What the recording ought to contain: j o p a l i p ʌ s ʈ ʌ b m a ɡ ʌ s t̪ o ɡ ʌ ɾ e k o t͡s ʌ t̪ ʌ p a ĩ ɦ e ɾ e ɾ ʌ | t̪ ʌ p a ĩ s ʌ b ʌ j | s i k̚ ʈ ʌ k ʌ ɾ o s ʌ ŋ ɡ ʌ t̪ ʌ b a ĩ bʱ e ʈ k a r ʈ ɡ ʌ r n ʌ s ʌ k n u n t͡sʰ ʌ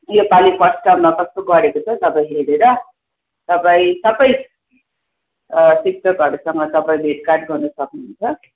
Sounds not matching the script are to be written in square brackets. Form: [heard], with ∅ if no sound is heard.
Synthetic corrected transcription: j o p a l i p ʌ s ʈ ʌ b m a [k] ʌ s t̪ o ɡ ʌ ɾ e k o [t͡sʰ] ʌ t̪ ʌ p a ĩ ɦ e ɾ e ɾ ʌ | t̪ ʌ p a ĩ s ʌ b ʌ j | s i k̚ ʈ ʌ k ʌ ɾ [u] s ʌ ŋ ɡ ʌ t̪ ʌ [p] a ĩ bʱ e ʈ k a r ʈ ɡ ʌ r n ʌ s ʌ k n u n t͡sʰ ʌ